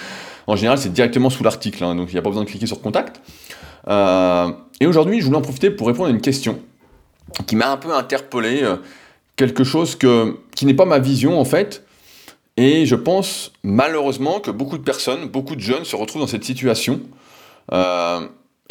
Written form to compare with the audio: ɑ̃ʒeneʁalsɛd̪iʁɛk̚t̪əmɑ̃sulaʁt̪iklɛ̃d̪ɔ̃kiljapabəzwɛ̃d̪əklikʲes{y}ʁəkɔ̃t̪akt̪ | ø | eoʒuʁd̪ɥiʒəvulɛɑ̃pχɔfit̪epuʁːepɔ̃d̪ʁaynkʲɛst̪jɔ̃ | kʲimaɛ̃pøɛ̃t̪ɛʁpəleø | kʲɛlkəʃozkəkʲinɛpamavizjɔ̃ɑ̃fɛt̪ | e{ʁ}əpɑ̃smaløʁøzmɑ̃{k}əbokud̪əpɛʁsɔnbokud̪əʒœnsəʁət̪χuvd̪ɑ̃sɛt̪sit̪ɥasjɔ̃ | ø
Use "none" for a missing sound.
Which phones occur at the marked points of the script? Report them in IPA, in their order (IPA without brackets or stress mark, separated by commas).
y, ʒ, k